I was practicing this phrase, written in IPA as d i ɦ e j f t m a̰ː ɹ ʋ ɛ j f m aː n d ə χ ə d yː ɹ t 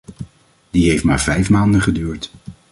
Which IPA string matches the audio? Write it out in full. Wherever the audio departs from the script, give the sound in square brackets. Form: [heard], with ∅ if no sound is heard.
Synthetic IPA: d i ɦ e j f t m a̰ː ɹ [v] ɛ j f m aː n d ə χ ə d yː ɹ t